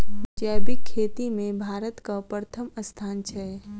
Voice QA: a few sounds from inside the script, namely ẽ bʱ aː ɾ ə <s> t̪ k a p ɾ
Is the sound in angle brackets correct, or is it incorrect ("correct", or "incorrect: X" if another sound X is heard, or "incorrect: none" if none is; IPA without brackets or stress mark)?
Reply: incorrect: none